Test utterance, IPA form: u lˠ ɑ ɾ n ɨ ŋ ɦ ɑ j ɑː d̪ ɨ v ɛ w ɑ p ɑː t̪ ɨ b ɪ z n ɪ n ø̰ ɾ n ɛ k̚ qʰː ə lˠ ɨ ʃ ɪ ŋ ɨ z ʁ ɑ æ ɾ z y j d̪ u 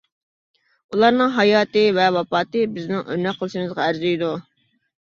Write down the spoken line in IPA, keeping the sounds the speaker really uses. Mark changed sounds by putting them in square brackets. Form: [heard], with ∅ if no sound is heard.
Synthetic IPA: u lˠ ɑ ɾ n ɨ ŋ ɦ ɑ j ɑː [t̪] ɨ v ɛ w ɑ p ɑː t̪ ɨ b ɪ z n ɪ [ŋ] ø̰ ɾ n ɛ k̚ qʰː ə lˠ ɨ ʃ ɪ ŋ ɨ z ʁ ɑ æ ɾ z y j d̪ u